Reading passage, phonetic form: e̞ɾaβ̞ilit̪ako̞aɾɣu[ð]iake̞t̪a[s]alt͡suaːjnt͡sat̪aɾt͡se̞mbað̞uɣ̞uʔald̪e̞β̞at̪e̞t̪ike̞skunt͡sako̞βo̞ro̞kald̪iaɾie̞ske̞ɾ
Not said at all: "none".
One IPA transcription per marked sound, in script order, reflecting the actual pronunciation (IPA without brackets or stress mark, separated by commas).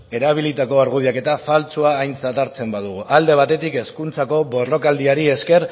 ð, f